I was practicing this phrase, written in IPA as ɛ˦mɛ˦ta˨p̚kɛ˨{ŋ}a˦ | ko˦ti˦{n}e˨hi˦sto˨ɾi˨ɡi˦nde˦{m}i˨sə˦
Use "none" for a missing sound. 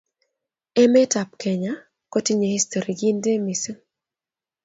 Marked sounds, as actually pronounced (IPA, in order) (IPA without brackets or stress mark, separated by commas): ɲ, ɲ, m